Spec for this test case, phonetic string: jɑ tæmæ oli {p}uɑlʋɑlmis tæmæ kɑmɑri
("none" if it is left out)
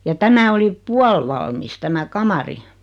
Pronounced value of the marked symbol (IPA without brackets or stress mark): p